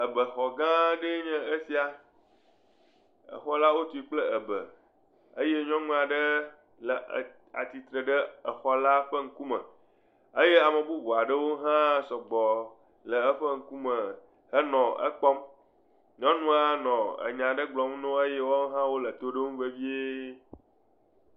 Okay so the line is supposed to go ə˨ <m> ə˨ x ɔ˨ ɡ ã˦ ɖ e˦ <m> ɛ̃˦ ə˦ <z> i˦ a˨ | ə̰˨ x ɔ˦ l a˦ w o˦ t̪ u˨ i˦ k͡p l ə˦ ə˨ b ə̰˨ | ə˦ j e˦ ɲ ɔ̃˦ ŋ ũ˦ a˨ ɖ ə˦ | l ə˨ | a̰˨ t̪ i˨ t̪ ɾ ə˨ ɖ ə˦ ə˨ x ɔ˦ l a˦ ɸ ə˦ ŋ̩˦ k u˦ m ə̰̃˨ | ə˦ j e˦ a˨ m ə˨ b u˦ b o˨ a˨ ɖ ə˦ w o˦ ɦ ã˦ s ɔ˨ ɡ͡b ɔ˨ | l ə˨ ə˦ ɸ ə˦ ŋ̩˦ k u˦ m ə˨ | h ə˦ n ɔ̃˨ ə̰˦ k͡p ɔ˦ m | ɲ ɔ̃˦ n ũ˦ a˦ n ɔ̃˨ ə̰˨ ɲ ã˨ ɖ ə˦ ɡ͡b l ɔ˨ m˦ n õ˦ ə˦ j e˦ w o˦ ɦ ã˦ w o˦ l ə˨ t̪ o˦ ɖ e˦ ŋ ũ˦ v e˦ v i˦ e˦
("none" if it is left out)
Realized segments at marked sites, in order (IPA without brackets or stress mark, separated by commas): b, ɲ, s